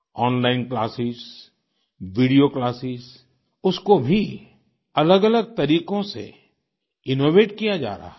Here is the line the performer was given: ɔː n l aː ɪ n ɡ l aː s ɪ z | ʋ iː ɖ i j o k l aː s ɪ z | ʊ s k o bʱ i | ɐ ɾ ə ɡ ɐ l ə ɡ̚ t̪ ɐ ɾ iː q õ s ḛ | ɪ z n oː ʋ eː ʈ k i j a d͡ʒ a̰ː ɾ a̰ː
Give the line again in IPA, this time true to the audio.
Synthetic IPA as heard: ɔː n l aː ɪ n k l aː s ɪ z | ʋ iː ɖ i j o k l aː s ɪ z | ʊ s k o bʱ i | ɐ l ə ɡ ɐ l ə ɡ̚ t̪ ɐ ɾ iː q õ s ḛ | ɪ n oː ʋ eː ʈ k i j a d͡ʒ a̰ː ɾ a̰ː